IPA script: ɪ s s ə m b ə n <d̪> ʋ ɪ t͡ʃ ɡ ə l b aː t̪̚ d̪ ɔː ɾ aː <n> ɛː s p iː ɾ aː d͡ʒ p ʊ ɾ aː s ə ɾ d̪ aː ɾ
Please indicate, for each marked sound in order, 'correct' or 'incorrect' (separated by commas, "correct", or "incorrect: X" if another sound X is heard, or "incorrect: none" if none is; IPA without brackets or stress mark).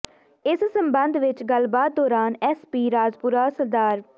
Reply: correct, correct